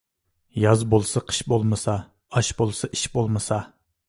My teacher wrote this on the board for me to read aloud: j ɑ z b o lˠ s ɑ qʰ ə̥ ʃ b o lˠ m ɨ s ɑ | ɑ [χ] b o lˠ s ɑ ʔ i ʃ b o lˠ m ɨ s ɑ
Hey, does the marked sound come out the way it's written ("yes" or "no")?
no